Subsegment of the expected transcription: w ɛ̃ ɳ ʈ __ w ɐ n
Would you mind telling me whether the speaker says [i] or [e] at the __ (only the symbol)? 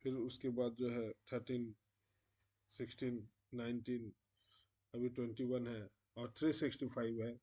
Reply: i